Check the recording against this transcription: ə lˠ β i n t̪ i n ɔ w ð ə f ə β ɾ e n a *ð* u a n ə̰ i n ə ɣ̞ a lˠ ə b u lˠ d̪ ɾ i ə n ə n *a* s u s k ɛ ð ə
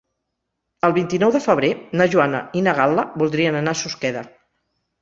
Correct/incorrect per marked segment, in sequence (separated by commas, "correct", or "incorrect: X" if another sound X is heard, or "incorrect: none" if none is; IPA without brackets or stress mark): incorrect: ʒ, correct